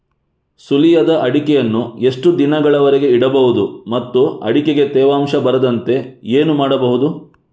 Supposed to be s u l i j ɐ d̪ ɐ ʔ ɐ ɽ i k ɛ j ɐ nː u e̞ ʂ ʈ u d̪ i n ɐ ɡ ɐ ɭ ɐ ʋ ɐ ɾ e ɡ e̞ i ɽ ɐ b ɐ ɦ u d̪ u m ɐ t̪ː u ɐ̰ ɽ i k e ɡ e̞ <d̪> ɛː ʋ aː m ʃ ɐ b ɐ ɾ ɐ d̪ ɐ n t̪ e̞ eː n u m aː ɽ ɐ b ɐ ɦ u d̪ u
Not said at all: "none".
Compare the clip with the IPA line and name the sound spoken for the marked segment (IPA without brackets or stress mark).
t̪